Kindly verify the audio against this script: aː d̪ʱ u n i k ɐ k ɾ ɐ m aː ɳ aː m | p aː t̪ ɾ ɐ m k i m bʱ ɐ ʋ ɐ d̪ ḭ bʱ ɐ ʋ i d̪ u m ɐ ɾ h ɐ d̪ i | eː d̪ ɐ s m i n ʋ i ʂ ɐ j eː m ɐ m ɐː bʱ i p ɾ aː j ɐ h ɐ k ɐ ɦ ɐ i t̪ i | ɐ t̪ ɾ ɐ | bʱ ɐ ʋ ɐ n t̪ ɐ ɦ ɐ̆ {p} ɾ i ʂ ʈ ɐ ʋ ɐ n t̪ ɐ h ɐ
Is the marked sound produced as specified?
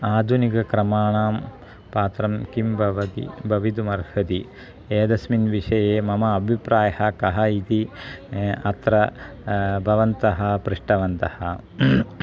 yes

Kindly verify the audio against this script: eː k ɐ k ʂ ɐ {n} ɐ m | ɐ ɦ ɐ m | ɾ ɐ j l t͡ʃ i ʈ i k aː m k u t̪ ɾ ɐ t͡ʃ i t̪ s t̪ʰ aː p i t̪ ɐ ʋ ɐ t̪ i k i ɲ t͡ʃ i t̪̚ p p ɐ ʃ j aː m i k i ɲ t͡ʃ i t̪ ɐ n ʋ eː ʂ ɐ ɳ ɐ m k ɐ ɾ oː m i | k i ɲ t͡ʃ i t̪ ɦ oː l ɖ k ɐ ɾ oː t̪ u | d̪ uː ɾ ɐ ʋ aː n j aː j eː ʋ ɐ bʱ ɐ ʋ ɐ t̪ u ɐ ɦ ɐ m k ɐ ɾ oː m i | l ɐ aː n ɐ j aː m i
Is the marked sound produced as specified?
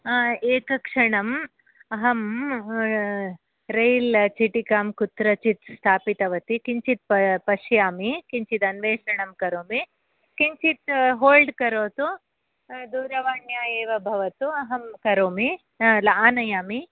no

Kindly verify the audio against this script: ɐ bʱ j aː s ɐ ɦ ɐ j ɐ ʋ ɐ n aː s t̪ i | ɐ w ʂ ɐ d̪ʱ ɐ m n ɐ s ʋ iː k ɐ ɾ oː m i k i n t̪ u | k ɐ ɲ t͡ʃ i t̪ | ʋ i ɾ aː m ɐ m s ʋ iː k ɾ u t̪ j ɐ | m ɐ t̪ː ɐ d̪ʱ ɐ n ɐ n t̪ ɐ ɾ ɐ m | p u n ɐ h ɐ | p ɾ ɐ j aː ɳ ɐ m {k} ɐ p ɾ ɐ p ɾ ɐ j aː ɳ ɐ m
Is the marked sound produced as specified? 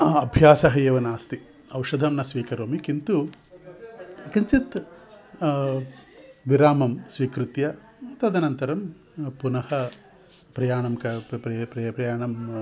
yes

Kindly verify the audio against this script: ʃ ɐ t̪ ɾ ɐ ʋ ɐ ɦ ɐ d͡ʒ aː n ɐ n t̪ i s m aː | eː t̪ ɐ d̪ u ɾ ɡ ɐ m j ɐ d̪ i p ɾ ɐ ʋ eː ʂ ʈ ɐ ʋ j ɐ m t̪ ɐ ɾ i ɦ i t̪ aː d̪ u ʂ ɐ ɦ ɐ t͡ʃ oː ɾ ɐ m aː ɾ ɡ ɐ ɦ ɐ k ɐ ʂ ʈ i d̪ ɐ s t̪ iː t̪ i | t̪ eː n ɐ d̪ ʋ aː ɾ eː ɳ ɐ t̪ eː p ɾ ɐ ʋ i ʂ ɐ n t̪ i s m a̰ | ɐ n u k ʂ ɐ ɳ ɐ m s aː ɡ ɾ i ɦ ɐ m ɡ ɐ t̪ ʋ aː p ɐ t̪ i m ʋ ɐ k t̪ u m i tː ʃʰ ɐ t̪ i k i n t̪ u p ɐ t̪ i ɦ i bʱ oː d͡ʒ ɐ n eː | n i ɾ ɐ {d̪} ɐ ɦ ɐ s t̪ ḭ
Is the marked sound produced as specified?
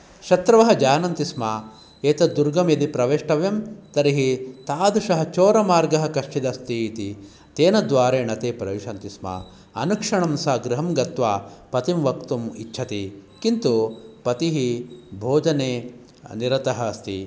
no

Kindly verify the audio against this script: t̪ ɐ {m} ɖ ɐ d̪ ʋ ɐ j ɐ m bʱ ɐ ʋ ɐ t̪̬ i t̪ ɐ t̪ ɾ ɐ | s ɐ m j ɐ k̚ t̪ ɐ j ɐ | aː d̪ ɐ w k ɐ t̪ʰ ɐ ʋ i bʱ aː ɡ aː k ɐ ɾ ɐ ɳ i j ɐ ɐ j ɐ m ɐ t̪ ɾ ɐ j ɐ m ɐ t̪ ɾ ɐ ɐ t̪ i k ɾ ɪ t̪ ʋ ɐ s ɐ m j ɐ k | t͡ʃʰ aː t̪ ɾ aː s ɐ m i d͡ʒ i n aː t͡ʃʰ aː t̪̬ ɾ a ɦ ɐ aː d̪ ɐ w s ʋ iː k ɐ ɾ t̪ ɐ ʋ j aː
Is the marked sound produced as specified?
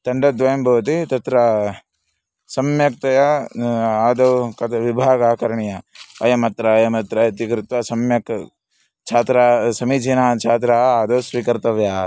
no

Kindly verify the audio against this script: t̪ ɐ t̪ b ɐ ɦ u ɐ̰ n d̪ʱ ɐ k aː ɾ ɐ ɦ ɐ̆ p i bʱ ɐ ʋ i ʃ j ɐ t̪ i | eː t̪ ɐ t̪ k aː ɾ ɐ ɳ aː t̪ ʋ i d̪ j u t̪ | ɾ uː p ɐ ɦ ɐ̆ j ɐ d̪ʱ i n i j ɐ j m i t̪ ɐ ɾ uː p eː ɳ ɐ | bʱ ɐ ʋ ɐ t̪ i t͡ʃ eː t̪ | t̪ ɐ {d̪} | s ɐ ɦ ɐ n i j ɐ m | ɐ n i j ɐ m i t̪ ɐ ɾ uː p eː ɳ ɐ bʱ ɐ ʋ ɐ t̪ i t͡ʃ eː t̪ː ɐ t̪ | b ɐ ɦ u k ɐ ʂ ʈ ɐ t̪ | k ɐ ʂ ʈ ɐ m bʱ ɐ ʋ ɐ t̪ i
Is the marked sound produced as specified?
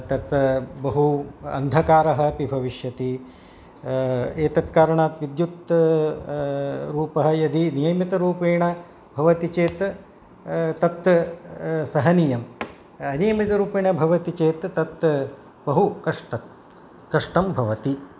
no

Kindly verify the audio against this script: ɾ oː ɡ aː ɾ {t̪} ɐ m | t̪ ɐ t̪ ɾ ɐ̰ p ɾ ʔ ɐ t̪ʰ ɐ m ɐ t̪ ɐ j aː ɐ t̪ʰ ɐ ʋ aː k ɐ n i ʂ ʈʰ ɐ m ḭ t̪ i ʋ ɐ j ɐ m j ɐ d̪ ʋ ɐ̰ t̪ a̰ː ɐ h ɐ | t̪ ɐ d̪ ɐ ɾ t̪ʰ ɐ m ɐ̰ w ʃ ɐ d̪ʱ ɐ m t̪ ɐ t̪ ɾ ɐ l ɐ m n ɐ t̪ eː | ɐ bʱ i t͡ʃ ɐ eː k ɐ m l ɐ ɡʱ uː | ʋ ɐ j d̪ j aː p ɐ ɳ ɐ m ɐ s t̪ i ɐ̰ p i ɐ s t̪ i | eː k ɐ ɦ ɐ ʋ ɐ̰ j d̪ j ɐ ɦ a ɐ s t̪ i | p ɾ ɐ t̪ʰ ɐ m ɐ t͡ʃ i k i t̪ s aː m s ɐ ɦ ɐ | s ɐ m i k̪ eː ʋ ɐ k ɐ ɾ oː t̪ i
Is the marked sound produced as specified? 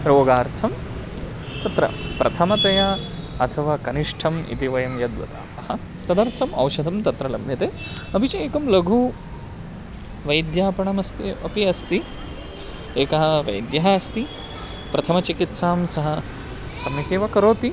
no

